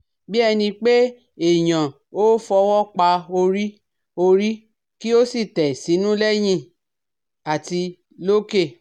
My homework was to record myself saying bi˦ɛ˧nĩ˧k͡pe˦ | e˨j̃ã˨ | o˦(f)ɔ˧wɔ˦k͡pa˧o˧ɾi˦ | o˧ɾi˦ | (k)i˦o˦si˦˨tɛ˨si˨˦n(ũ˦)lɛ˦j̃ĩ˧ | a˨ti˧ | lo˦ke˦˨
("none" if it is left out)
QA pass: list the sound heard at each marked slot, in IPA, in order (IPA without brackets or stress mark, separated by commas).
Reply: f, k, ũ˦